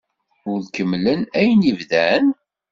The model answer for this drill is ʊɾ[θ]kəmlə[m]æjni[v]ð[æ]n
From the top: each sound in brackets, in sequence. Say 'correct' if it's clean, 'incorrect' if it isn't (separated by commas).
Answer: incorrect, incorrect, correct, correct